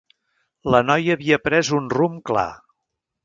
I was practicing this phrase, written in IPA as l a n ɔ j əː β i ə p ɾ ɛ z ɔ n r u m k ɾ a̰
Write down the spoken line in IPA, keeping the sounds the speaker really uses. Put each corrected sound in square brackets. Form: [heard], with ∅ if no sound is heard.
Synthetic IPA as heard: l [ə] n ɔ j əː β i ə p ɾ ɛ z [u] n r u m k [l] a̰